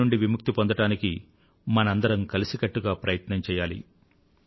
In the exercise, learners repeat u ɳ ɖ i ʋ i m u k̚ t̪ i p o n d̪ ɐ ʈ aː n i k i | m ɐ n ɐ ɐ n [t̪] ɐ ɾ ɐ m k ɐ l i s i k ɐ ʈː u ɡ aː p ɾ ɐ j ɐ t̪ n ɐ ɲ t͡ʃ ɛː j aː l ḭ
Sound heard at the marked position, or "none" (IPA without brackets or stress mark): d̪